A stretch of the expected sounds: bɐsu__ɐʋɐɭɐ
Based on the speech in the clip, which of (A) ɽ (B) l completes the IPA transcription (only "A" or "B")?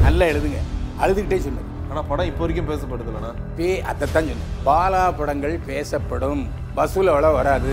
B